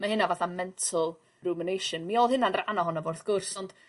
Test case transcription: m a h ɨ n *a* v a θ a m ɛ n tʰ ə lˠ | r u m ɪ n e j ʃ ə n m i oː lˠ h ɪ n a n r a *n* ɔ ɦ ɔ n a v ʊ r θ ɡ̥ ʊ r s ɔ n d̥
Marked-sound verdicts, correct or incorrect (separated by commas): correct, correct